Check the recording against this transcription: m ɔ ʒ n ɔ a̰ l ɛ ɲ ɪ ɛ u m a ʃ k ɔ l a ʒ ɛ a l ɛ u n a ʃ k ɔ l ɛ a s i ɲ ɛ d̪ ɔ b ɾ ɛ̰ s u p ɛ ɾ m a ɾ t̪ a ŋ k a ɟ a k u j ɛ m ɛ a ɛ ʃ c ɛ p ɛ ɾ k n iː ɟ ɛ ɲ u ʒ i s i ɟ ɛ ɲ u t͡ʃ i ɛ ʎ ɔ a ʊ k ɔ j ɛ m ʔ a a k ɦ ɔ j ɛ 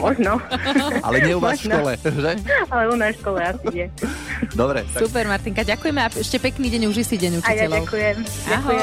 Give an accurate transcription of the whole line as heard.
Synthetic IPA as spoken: m ɔ ʒ n ɔ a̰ l ɛ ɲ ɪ ɛ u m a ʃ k ɔ l ɛ ʒ ɛ a l ɛ u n a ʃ k ɔ l ɛ a s i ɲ ɛ d̪ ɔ b ɾ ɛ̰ s u p ɛ ɾ m a ɾ t̪ i ŋ k a ɟ a k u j ɛ m ɛ a ɛ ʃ c ɛ p ɛ k n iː ɟ ɛ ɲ u ʒ i s i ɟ ɛ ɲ u t͡ʃ i ɛ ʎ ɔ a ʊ k u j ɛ m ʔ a a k ɦ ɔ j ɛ